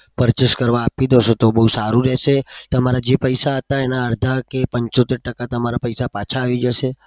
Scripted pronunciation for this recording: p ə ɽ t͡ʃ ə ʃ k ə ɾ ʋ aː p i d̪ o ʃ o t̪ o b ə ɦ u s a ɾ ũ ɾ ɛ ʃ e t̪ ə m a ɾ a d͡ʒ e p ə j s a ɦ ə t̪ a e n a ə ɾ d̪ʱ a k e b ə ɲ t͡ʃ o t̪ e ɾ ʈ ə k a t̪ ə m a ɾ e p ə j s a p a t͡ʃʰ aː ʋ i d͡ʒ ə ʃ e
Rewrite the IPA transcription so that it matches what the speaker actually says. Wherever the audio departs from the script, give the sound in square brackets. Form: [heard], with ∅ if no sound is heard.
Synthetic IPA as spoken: p ə [ɾ] t͡ʃ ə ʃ k ə ɾ ʋ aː p i d̪ o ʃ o t̪ o b ə ɦ u s a ɾ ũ ɾ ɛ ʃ e t̪ ə m a ɾ a d͡ʒ e p ə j s a ɦ ə t̪ a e n a ə ɾ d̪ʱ a k e [p] ə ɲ t͡ʃ o t̪ e ɾ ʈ ə k a t̪ ə m a ɾ [a] p ə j s a p a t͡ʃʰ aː ʋ i d͡ʒ ə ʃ e